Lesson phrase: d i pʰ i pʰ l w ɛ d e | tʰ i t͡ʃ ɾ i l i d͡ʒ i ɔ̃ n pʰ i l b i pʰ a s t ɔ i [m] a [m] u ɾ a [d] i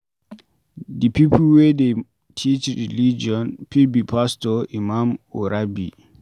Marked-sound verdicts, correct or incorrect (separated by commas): correct, correct, incorrect